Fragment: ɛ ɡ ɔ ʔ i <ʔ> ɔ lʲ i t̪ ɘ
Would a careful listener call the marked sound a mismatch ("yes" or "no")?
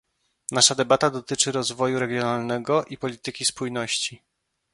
yes